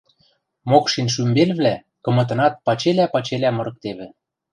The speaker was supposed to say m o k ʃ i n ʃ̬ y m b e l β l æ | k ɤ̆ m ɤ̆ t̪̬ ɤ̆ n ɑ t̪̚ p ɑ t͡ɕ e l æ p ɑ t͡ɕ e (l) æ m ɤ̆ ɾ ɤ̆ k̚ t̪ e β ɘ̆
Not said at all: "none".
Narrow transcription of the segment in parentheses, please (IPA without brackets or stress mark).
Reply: l